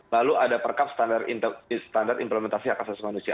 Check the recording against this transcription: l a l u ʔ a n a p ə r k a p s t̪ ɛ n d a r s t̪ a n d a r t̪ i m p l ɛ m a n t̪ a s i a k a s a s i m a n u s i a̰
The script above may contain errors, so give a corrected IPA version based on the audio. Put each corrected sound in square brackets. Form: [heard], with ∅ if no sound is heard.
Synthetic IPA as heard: l a l u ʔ a [d] a p ə r k a p s t̪ [a] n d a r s t̪ a n d a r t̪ i m p l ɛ m [ɛ] n t̪ a s i a k a s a s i m a n u s i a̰